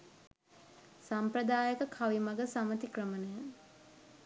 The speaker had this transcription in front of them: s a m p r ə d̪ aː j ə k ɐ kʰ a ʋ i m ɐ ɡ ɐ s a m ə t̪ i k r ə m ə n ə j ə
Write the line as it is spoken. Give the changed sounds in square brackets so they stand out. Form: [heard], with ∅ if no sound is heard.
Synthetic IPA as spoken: s a m p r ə d̪ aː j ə k [ə] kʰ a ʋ i m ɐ ɡ [ə] s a m ə t̪ i k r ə m ə n ə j ə

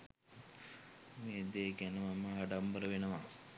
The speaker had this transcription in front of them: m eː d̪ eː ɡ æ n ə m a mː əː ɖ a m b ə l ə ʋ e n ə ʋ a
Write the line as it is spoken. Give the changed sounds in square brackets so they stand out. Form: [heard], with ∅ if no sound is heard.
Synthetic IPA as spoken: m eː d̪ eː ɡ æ n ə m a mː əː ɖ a m b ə [ɾ] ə ʋ e n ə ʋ a

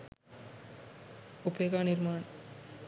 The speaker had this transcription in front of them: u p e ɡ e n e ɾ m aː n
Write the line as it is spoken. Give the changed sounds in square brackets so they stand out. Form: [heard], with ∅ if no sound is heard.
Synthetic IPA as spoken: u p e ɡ [a] n [i] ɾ m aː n

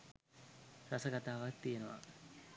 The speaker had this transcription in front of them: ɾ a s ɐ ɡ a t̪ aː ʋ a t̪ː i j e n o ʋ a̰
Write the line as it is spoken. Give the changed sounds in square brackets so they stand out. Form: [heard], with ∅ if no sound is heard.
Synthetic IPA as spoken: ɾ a s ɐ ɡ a t̪ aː ʋ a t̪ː i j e n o ʋ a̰

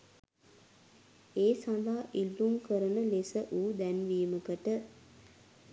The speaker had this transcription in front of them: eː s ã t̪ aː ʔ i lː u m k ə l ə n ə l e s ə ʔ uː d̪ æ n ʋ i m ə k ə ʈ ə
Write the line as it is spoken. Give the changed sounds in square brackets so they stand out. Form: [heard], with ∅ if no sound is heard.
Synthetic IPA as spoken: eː s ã [d̪] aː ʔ i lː u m k ə [ɾ] ə n ə l e s ə ʔ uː d̪ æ n ʋ [iː] m ə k ə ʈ ə

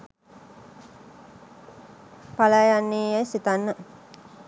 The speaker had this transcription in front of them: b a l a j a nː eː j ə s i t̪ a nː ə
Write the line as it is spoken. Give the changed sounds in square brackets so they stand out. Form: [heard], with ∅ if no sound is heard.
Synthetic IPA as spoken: [p] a l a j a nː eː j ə s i t̪ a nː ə

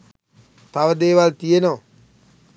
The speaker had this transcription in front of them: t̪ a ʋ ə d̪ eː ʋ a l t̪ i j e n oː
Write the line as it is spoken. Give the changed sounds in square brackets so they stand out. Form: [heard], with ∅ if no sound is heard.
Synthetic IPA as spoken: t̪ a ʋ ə d̪ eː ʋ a l t̪ i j e n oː

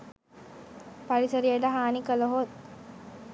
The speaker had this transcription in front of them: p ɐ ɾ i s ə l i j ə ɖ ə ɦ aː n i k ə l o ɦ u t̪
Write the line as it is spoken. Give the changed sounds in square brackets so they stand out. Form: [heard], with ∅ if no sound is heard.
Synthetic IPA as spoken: p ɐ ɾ i s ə [ɾ] i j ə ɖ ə ɦ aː n i k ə l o ɦ [o] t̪

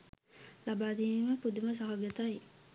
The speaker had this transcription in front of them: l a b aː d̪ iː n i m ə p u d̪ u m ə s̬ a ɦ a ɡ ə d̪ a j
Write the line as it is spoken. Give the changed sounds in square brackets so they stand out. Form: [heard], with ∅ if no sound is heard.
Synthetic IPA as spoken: l a b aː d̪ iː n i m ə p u d̪ u m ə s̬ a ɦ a ɡ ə [t̪] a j

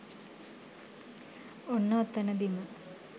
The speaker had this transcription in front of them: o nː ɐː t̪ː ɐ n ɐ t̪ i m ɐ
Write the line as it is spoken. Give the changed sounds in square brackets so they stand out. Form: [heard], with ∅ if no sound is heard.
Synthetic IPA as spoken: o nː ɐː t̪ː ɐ n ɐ [d̪] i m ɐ

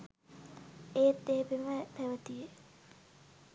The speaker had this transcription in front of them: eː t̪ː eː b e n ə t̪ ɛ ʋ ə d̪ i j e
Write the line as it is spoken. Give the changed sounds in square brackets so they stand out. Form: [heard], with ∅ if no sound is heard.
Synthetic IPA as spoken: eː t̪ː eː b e [m] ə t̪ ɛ ʋ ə [t̪] i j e

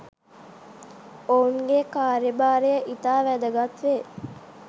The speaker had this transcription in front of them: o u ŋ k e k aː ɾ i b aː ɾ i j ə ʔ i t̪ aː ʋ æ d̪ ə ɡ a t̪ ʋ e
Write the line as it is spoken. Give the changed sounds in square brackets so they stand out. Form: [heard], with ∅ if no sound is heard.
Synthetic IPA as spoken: o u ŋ [ɡ] e k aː ɾ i b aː ɾ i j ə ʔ i t̪ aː ʋ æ d̪ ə ɡ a t̪ ʋ e

